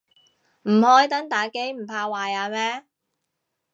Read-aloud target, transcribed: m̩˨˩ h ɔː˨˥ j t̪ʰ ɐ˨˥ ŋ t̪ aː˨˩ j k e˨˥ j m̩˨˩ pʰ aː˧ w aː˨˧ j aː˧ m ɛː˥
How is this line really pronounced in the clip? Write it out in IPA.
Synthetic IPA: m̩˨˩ h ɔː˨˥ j t̪ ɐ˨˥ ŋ t̪ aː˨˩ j k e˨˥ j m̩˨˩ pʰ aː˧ w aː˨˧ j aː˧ m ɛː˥